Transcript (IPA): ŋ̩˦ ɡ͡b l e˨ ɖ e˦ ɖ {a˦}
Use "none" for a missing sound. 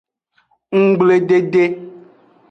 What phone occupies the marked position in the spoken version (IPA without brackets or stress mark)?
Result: e˦